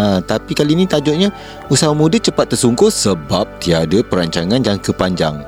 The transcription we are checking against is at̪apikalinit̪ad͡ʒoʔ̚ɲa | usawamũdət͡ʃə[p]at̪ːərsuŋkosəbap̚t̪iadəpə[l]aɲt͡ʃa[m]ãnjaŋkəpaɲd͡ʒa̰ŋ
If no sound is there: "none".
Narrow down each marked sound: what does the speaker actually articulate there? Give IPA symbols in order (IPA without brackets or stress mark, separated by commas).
p, ɾ, ŋ